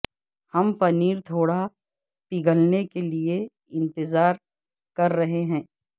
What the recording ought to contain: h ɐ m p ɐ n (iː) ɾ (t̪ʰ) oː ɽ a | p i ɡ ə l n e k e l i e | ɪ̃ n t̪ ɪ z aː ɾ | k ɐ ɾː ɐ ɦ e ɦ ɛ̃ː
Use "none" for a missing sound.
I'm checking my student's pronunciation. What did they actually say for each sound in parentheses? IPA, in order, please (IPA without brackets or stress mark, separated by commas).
iː, t̪ʰ